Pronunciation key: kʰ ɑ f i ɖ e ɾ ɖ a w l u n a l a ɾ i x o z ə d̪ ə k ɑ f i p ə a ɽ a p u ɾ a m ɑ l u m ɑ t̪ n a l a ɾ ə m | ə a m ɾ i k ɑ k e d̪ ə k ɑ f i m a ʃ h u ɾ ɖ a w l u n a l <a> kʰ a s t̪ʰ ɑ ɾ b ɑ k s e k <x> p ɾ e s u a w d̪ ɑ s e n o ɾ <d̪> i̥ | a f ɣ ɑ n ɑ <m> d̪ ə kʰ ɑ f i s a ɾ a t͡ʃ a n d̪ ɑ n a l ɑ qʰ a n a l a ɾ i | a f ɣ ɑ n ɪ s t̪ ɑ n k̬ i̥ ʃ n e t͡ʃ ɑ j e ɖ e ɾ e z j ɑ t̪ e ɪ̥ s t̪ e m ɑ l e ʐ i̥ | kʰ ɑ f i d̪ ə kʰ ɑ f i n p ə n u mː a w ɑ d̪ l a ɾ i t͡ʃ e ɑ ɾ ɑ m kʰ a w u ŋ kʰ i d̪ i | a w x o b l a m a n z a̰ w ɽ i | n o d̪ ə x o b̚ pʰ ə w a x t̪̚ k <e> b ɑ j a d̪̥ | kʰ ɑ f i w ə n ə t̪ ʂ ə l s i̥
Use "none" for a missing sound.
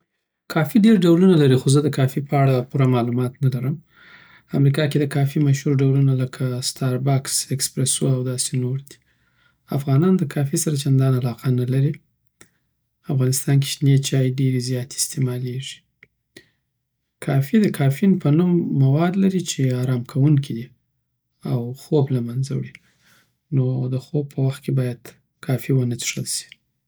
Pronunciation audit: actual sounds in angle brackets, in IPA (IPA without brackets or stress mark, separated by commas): ə, s, d̪, n, e